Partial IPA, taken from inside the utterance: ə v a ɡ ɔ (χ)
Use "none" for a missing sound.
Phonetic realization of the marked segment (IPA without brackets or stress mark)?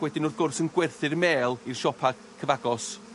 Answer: s